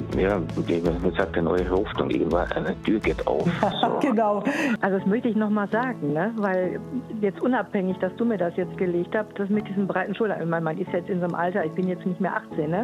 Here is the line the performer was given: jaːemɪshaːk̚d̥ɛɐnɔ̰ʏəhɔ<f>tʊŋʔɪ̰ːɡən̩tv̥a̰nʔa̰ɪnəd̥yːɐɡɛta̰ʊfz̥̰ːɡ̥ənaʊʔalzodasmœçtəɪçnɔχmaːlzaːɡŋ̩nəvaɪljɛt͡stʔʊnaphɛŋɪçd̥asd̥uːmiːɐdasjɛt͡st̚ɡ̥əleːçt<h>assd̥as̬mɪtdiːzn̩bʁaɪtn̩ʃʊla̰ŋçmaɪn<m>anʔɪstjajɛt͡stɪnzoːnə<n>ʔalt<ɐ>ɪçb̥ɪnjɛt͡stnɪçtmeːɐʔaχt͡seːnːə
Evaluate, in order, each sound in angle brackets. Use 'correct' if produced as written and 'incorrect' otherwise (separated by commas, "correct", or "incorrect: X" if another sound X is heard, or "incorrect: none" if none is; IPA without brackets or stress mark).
correct, correct, correct, incorrect: m, correct